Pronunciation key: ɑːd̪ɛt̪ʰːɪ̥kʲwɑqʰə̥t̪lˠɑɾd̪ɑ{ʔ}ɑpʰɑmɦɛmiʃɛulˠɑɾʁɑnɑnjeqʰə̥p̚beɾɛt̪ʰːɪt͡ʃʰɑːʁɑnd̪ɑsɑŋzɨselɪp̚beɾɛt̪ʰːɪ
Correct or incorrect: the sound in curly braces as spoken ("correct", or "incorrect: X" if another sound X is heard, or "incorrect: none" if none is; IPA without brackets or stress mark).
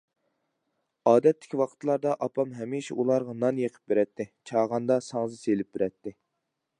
correct